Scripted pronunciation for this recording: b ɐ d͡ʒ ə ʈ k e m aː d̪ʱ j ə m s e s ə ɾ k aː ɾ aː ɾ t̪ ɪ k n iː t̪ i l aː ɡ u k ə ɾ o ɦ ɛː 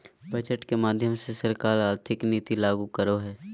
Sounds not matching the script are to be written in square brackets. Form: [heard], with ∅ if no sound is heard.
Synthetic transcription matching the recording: b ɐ d͡ʒ ə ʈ k e m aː d̪ʱ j ə m s e s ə ɾ k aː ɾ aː ɾ [t̪ʰ] ɪ k n iː t̪ i l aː ɡ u k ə ɾ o ɦ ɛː